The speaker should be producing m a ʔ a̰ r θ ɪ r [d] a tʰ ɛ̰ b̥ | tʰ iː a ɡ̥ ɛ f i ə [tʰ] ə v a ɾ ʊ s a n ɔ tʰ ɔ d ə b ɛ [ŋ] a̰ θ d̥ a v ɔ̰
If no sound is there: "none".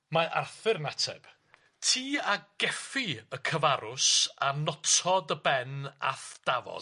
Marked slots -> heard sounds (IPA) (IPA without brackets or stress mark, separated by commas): n, kʰ, n